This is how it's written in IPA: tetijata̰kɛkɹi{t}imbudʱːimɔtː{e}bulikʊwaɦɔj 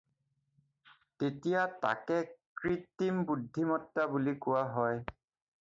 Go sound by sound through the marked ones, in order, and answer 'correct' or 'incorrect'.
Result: correct, incorrect

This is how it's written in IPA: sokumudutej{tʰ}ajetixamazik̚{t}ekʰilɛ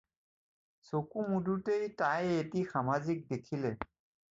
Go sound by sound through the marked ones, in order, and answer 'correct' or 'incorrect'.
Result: incorrect, incorrect

